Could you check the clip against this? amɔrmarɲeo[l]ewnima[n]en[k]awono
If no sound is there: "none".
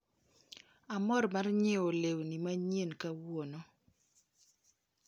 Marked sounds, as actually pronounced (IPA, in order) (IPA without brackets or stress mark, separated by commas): l, ɲ, k